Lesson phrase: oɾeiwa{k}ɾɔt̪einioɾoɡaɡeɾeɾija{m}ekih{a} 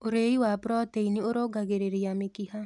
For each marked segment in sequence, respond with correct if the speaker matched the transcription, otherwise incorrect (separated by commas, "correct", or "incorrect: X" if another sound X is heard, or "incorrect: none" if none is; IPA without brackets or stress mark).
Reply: incorrect: p, correct, correct